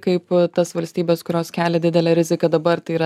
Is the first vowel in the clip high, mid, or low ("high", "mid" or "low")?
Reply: low